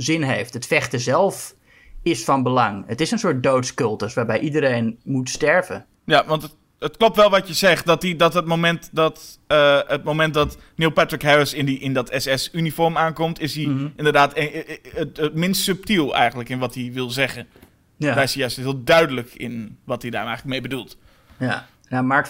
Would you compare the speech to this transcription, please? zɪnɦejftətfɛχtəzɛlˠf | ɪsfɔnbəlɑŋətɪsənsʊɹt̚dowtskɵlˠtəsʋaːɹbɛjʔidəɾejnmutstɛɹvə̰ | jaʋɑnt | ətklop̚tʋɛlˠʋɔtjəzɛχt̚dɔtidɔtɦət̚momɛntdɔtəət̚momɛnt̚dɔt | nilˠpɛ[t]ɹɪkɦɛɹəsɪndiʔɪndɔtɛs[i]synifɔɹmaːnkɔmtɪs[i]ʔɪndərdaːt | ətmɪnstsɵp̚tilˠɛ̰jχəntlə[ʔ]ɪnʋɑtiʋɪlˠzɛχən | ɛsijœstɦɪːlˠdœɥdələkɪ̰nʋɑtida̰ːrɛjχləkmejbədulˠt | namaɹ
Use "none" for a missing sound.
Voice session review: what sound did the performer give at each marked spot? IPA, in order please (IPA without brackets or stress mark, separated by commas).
t, ɛ, i, k